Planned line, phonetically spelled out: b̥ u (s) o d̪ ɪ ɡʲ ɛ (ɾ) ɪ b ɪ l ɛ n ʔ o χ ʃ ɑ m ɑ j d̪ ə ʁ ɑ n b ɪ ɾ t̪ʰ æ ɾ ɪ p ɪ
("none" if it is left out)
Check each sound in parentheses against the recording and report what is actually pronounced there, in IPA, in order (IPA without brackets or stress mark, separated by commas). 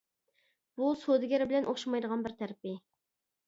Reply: s, ɾ